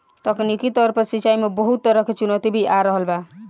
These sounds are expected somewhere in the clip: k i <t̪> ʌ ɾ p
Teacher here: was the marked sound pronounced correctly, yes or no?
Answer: yes